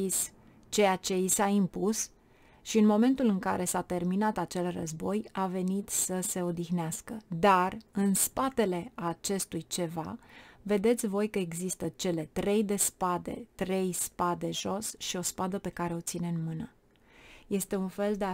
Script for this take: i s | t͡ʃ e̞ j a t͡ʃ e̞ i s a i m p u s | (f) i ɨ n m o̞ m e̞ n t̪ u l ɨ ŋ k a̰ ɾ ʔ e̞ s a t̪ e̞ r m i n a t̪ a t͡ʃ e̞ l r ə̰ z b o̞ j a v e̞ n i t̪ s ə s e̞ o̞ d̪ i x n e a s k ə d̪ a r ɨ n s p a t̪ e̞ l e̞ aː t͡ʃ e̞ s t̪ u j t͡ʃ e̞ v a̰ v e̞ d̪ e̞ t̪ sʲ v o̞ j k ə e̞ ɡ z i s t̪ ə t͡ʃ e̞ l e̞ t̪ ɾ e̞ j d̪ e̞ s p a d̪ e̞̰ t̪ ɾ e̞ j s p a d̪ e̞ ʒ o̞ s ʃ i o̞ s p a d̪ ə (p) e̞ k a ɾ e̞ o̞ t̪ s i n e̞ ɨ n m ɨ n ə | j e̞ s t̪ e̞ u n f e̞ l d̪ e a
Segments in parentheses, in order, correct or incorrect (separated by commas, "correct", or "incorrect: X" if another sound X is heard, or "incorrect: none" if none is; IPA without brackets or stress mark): incorrect: ʃ, correct